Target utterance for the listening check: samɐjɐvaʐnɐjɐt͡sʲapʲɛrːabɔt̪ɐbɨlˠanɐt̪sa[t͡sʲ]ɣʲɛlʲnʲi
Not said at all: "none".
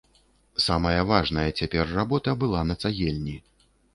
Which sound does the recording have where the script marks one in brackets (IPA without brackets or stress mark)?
none